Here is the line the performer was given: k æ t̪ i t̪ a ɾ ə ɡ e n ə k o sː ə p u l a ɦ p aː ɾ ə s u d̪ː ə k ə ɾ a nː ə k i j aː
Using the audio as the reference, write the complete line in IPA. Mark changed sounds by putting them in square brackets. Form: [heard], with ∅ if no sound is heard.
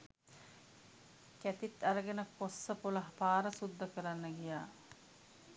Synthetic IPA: k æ t̪ i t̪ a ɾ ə ɡ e n ə k o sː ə p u l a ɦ p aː ɾ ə s u d̪ː ə k ə ɾ a nː ə [ɡ] i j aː

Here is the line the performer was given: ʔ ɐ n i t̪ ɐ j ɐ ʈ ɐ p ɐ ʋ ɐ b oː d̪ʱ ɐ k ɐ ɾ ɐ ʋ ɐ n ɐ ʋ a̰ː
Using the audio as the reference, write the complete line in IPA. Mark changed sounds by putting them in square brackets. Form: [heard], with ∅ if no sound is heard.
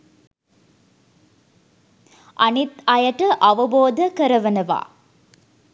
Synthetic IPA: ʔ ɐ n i t̪ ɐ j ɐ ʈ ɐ [ʔ] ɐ ʋ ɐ b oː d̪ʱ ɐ k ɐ ɾ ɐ ʋ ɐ n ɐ ʋ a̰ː

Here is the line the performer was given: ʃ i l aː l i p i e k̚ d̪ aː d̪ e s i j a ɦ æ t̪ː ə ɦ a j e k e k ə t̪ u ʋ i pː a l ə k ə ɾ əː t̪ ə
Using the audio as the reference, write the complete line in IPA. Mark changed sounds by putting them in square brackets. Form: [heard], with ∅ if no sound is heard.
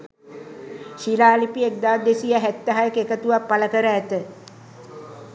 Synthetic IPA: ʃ i l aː l i p i e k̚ d̪ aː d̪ e s i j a ɦ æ t̪ː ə ɦ a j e k e k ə t̪ u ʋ [a] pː a l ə k ə ɾ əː t̪ ə

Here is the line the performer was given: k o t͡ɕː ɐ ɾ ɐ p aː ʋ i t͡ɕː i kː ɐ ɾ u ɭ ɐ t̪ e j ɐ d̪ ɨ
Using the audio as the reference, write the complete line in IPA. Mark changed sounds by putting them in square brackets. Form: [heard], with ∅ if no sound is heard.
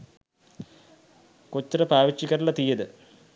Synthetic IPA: k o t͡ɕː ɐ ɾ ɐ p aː ʋ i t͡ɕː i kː ɐ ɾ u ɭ ɐ t̪ [i] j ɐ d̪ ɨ

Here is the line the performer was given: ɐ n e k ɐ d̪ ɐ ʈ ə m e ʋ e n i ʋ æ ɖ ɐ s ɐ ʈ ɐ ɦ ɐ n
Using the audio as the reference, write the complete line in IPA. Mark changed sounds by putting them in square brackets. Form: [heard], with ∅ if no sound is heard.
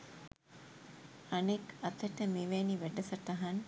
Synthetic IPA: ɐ n e k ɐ [t̪] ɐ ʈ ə m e ʋ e n i ʋ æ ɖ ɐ s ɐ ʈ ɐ ɦ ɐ n

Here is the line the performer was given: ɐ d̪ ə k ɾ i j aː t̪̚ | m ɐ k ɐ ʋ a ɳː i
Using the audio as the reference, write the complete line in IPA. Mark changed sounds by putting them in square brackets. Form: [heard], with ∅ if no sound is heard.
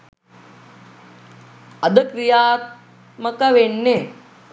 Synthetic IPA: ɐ d̪ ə k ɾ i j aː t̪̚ | m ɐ k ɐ ʋ [e] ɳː [e]

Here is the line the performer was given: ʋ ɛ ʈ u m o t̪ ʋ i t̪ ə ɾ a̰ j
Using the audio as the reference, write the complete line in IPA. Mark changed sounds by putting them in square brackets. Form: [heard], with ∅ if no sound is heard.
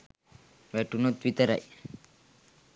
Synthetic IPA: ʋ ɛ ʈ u [n] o t̪ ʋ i t̪ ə ɾ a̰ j

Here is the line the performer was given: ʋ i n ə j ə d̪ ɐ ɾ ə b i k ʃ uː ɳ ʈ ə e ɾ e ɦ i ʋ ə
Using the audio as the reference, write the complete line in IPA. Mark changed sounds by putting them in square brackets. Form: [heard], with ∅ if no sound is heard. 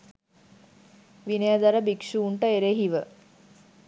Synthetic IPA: ʋ i n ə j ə d̪ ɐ ɾ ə b i k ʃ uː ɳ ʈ ə e ɾ e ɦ i ʋ ə

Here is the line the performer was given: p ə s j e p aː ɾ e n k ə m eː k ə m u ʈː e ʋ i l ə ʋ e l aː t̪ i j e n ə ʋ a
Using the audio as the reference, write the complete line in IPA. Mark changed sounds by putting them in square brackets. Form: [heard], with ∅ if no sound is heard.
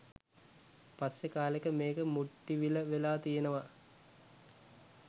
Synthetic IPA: p [a] s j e [k] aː [l] e [∅] k ə m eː k ə m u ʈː [i] ʋ i l ə ʋ e l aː t̪ i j e n ə ʋ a

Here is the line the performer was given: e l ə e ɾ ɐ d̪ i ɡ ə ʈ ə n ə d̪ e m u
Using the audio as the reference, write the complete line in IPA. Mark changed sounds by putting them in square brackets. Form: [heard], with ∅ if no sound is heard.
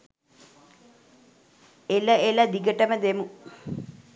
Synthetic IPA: e l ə e [l] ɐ d̪ i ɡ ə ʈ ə [m] ə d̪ e m u

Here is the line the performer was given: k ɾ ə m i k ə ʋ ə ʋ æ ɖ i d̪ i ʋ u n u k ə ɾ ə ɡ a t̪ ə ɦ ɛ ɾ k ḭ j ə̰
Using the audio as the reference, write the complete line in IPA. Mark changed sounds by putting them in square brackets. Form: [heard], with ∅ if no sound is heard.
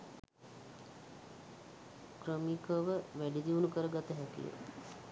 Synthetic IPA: k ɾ ə m i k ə ʋ ə ʋ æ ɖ i d̪ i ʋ u n u k ə ɾ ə ɡ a t̪ ə ɦ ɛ [∅] k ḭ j ə̰

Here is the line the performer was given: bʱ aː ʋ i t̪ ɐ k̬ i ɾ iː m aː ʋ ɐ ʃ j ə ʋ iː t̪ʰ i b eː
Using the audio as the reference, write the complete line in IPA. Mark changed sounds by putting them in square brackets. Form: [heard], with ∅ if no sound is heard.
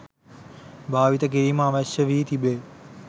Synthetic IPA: bʱ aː ʋ i t̪ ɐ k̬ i ɾ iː m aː ʋ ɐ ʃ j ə ʋ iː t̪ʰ i b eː

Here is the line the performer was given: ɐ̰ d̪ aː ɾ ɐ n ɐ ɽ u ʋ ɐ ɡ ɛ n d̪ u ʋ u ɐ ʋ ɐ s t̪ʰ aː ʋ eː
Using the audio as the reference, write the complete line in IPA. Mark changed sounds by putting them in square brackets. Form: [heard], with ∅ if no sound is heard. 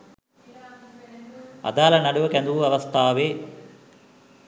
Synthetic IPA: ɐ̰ d̪ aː [l] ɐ n ɐ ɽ u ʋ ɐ [k] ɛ n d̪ u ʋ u ɐ ʋ ɐ s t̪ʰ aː ʋ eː

